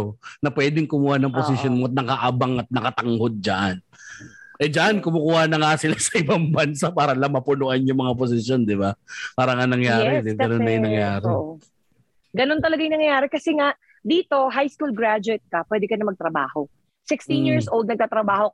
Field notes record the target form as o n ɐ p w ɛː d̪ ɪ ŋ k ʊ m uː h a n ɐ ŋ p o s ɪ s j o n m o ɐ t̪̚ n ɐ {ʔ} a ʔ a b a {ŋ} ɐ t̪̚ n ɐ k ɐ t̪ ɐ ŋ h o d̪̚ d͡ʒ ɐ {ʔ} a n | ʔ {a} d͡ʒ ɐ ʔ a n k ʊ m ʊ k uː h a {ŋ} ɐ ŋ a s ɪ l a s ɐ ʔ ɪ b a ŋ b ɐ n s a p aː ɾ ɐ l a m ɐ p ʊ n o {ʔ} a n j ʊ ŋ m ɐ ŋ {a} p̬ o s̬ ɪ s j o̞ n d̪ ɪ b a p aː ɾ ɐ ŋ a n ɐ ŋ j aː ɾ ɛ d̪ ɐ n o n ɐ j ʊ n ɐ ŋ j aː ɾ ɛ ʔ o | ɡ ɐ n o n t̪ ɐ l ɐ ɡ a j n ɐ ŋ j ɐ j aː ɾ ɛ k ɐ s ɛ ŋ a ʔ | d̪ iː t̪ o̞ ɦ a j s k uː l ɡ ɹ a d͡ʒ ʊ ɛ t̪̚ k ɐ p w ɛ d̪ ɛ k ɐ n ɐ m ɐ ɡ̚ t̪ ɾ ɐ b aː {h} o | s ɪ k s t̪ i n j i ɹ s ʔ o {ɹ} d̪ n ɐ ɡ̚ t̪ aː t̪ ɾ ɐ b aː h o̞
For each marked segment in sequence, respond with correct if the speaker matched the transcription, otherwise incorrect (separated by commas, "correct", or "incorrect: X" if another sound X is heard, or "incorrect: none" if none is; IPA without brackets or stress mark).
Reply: incorrect: k, correct, correct, incorrect: ɛ, incorrect: n, correct, correct, correct, incorrect: l